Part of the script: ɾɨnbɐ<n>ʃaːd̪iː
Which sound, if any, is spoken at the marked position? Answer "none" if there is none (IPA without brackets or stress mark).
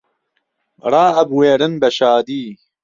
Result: none